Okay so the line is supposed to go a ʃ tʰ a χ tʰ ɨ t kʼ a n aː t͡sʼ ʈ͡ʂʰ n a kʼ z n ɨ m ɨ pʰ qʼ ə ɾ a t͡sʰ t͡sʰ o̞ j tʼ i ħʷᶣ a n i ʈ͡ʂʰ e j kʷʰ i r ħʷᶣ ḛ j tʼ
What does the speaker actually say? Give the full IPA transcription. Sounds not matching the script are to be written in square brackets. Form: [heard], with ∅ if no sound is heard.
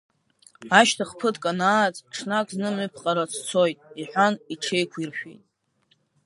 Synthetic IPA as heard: a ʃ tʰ a χ [pʰ] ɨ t kʼ a n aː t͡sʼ ʈ͡ʂʰ n a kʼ z n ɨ m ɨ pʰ qʼ [a] ɾ a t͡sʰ t͡sʰ o̞ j tʼ i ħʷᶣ a n i ʈ͡ʂʰ e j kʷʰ i r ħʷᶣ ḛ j tʼ